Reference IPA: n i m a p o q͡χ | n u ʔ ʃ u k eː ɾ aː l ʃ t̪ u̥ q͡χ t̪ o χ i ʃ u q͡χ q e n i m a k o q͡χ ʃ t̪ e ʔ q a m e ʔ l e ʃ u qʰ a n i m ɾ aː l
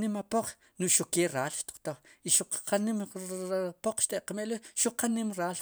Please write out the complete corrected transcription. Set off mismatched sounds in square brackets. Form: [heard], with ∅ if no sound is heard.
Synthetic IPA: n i m a p o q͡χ | n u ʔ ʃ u k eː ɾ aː l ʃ t̪ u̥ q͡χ t̪ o χ i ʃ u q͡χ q [a] n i m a [p] o q͡χ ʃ t̪ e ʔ q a m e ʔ l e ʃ u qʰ a n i m ɾ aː l